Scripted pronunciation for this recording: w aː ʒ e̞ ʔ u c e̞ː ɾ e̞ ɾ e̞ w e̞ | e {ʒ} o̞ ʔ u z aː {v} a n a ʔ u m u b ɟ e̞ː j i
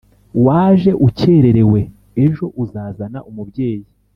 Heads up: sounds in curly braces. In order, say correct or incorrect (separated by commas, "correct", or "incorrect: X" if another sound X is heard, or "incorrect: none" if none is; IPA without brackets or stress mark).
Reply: correct, incorrect: z